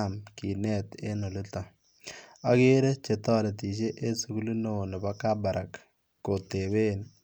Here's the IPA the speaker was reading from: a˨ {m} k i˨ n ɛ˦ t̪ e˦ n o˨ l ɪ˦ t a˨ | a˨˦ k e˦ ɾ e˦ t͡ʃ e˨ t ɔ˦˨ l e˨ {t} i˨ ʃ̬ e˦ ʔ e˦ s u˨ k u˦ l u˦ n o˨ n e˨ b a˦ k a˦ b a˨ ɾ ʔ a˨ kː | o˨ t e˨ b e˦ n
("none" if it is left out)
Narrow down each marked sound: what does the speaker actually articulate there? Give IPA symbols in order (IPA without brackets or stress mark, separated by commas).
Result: m, t